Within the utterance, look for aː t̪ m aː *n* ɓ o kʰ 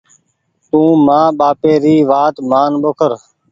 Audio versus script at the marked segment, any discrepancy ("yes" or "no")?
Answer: no